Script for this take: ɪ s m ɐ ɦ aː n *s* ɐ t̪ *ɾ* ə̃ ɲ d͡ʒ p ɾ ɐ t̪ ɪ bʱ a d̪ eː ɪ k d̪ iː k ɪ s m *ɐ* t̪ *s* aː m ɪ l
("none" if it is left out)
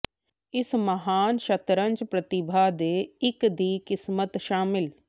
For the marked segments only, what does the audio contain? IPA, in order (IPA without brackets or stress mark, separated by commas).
ʃ, ɾ, ə, ʃ